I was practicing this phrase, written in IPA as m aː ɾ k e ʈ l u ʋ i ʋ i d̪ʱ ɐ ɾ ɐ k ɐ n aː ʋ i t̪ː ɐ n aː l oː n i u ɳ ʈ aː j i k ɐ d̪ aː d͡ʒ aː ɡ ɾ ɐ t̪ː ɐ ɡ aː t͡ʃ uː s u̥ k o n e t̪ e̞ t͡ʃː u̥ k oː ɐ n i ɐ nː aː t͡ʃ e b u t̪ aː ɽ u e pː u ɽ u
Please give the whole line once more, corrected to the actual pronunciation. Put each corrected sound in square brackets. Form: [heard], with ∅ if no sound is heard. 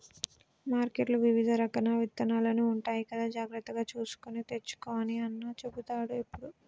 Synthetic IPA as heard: m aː ɾ k e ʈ l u ʋ i ʋ i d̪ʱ ɐ ɾ ɐ k ɐ n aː ʋ i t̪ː ɐ n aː l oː n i u ɳ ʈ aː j i k ɐ d̪ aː d͡ʒ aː ɡ ɾ ɐ t̪ː ɐ ɡ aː t͡ʃ uː s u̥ k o n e t̪ e̞ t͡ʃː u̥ k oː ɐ n i ɐ nː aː t͡ʃ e b u t̪ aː ɽ u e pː u ɽ u

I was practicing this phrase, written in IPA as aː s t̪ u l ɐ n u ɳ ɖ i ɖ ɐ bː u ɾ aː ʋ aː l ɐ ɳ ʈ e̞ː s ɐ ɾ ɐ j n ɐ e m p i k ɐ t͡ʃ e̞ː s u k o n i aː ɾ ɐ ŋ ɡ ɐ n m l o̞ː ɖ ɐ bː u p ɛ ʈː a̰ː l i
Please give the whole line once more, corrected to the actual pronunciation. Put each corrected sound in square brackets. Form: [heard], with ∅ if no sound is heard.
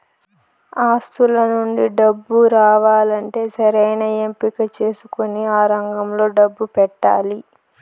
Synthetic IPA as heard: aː s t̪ u l ɐ n u ɳ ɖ i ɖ ɐ bː u ɾ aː ʋ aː l ɐ ɳ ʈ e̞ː s ɐ ɾ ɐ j n ɐ e m p i k ɐ t͡ʃ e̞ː s u k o n i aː ɾ ɐ ŋ ɡ ɐ [∅] m l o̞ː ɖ ɐ bː u p ɛ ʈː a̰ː l i

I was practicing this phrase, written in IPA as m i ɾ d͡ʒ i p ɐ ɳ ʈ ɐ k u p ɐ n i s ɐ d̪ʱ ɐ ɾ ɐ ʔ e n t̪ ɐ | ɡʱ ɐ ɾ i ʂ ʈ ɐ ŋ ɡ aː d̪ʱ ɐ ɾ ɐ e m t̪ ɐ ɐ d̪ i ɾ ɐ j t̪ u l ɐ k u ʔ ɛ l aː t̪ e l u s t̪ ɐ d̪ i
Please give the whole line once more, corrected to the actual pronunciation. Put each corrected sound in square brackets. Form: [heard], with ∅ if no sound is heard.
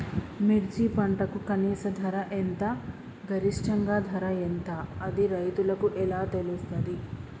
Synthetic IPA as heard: m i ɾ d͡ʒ i p ɐ ɳ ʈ ɐ k u [k] ɐ n [iː] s ɐ d̪ʱ ɐ ɾ ɐ ʔ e n t̪ ɐ | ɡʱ ɐ ɾ i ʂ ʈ ɐ ŋ ɡ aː d̪ʱ ɐ ɾ ɐ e [n] t̪ ɐ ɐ d̪ i ɾ ɐ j t̪ u l ɐ k u ʔ ɛ l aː t̪ e l u s t̪ ɐ d̪ i

